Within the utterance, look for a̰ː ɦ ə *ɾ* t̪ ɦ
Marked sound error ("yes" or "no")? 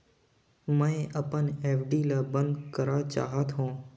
yes